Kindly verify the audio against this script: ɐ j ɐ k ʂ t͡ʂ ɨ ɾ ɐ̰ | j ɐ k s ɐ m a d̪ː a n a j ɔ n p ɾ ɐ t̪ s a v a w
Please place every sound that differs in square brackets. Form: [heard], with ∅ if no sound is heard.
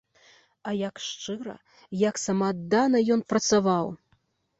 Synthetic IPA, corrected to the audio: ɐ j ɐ k ʂ t͡ʂ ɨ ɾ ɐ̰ | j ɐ k s ɐ m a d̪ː a n [ɐ] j ɔ n p ɾ ɐ t̪ s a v a w